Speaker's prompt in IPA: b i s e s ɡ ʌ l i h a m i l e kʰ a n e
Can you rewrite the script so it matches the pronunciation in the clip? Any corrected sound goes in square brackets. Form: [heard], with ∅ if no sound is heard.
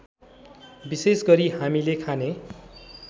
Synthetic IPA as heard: b i s e s ɡ ʌ [ɾ] i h a m i l e kʰ a n e